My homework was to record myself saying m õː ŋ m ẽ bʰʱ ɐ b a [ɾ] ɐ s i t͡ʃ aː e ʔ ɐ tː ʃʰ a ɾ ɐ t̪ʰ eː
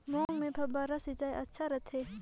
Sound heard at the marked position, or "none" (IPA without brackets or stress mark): ɾ